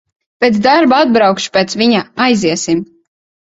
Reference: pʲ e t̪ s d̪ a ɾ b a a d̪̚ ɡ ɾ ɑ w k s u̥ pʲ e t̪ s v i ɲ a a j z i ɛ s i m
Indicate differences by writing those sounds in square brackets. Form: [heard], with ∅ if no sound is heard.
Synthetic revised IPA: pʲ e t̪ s d̪ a ɾ b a a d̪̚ [b] ɾ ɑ w k [ʃ] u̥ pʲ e t̪ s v i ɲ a a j z i ɛ s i m

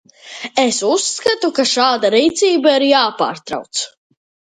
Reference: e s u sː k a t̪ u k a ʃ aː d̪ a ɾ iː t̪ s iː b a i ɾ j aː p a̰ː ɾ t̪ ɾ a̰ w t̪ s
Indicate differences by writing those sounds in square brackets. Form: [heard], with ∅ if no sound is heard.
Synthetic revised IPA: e s u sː k a t̪ u k a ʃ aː d̪ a ɾ iː t̪ s iː b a i ɾ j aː p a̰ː ɾ t̪ ɾ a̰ w t̪ s

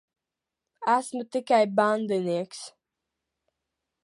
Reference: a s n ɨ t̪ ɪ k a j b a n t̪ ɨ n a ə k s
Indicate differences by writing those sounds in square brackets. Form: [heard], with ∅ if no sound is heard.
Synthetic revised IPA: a s [m] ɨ t̪ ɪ k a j b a n [d̪] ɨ n [i] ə k s

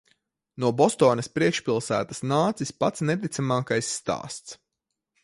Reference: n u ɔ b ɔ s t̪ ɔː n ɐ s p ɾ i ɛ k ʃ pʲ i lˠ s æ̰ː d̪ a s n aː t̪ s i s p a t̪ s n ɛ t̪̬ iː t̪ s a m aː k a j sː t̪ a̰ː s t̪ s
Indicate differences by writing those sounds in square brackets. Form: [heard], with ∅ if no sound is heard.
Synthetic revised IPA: n u ɔ b ɔ s t̪ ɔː n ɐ s p ɾ i ɛ k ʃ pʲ i lˠ s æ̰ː [t̪] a s n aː t̪ s i s p a t̪ s n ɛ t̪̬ [i] t̪ s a m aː k a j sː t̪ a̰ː s t̪ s

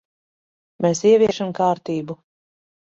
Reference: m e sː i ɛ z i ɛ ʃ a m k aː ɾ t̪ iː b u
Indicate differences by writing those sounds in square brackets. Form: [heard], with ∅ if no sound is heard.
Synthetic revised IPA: m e [s] i ɛ [v] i ɛ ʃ a m k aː ɾ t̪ iː b u

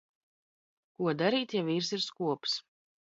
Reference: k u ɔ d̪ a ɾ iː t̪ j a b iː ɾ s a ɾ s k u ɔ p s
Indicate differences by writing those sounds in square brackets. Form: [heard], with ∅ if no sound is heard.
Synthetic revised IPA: k u ɔ d̪ a ɾ iː t̪ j a [v] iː ɾ s [i] ɾ s k u ɔ p s

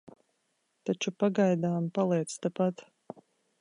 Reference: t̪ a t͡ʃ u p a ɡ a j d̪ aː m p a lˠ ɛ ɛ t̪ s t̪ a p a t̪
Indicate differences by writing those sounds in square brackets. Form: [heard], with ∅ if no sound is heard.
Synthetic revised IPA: t̪ a t͡ʃ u p a ɡ a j d̪ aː m p a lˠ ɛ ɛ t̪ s t̪ a p a t̪

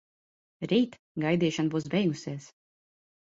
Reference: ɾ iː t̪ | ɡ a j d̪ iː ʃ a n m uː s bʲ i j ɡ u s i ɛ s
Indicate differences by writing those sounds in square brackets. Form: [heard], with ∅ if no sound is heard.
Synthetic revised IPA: ɾ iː t̪ | ɡ a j d̪ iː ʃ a n [b] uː s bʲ [ɛ] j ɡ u s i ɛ s

